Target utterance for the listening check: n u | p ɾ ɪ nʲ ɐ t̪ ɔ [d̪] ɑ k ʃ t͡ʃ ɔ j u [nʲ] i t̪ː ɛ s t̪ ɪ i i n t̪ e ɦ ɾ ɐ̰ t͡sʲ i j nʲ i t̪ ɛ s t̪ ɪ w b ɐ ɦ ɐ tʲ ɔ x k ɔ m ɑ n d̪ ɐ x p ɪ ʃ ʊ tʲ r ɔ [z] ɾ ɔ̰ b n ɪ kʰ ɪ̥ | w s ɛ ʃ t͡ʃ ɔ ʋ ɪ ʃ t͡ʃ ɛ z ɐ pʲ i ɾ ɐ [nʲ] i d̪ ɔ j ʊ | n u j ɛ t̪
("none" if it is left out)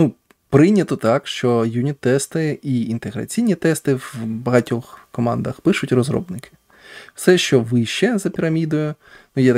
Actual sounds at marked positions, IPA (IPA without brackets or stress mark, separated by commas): t̪, nʲ, z, mʲ